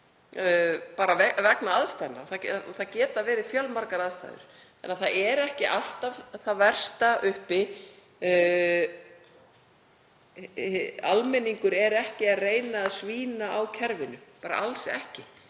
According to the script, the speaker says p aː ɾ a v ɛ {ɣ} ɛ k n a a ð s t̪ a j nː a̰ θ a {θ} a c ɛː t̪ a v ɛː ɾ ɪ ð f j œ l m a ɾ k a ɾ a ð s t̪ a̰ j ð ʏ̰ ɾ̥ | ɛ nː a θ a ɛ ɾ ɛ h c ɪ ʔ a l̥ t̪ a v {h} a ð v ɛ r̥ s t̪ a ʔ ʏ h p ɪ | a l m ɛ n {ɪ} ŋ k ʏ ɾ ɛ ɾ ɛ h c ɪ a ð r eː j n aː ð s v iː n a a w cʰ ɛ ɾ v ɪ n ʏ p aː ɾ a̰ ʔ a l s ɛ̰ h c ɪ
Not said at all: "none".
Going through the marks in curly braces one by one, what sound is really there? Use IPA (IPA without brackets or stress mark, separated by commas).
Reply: v, θ, θ, i